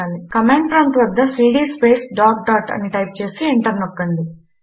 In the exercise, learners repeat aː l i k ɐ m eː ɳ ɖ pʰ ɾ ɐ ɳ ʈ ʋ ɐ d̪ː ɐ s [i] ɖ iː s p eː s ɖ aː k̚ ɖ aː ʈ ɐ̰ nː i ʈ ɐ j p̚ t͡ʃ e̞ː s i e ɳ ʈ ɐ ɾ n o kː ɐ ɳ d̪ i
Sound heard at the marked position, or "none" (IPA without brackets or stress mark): iː